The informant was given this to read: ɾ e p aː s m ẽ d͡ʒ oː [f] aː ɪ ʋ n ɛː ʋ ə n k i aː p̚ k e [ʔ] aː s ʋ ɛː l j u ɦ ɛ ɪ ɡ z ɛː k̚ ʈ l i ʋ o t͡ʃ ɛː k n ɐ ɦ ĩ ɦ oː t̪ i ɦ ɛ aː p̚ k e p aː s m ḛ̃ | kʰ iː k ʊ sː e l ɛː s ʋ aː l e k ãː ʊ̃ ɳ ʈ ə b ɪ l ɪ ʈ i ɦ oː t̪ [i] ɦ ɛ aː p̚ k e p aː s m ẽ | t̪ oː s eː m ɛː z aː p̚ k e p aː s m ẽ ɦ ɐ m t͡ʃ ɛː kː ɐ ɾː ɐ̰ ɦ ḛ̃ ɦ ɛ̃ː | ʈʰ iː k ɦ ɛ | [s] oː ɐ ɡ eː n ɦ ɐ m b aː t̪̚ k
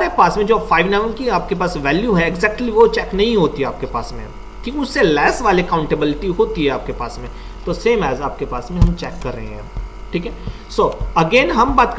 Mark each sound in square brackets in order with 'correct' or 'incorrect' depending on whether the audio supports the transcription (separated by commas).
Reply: correct, incorrect, correct, correct